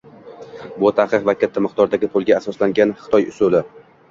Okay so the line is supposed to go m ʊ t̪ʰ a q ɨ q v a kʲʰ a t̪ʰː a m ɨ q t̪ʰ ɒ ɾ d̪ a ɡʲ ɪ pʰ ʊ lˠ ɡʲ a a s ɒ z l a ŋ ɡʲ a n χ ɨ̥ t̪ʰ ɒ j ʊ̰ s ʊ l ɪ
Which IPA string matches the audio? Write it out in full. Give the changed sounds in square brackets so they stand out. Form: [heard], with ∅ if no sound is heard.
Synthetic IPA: [b] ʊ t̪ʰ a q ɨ q v a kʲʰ a t̪ʰː a m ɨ q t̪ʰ ɒ ɾ d̪ a ɡʲ ɪ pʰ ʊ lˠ ɡʲ a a s ɒ [s] l a ŋ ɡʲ a n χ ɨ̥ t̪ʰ ɒ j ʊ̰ s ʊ l ɪ